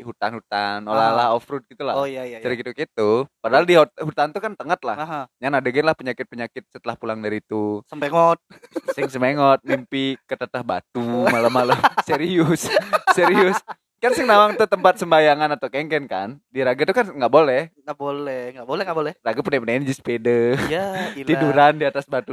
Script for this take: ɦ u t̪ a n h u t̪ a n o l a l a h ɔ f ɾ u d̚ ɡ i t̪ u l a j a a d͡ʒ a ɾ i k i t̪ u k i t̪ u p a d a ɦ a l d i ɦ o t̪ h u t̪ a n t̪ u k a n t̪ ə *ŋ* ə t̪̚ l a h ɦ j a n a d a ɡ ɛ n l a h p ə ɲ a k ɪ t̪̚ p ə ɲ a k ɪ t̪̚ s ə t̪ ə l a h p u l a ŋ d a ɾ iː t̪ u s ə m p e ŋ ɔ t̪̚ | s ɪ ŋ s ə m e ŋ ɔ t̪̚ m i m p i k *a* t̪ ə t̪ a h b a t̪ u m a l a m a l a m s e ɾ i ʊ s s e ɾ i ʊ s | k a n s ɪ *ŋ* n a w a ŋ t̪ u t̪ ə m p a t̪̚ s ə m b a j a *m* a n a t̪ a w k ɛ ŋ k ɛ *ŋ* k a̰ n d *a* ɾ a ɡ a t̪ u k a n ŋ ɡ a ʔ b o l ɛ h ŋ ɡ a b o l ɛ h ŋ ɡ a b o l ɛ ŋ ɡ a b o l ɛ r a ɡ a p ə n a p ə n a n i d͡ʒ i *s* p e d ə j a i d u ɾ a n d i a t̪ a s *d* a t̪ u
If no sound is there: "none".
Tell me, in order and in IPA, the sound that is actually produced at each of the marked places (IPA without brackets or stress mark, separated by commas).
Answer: ŋ, ə, ŋ, ŋ, n, i, s, b